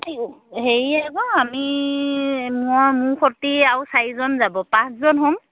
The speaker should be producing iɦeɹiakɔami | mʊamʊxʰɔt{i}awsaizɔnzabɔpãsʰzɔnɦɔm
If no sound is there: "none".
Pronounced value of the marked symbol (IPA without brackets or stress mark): i